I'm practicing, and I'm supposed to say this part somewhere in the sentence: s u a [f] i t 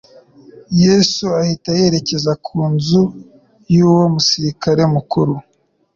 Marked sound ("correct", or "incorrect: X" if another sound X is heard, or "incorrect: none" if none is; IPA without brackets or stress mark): incorrect: h